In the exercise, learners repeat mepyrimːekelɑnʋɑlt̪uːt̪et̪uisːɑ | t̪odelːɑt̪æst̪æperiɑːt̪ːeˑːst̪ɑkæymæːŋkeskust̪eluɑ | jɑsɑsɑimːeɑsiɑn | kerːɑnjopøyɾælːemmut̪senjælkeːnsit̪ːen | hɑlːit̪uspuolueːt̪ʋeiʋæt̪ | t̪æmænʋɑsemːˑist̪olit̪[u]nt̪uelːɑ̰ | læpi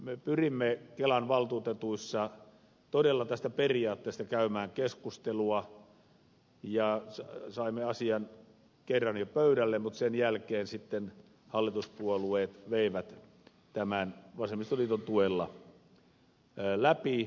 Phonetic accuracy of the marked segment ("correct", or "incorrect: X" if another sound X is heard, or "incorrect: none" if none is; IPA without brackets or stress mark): incorrect: o